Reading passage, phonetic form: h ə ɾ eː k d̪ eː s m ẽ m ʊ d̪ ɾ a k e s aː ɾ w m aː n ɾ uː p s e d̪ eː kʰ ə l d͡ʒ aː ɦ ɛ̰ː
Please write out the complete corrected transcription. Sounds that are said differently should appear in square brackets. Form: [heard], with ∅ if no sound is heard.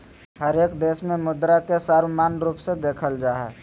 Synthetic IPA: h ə ɾ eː k d̪ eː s m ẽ m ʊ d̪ ɾ a k e s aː ɾ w m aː n ɾ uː p s e d̪ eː kʰ ə l d͡ʒ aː ɦ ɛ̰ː